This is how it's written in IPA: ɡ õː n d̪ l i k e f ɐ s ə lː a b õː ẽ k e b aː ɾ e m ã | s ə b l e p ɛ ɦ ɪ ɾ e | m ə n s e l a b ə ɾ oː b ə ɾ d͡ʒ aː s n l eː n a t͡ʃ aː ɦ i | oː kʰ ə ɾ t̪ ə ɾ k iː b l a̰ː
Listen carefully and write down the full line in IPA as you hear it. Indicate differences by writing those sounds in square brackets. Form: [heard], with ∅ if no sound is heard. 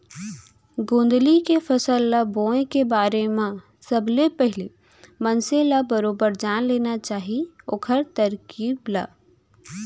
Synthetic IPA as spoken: ɡ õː n d̪ l i k e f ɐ s ə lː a b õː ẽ k e b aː ɾ e m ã | s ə b l e p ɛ ɦ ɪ [l] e | m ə n s e l a b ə ɾ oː b ə ɾ d͡ʒ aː [∅] n l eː n a t͡ʃ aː ɦ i | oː kʰ ə ɾ t̪ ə ɾ k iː b l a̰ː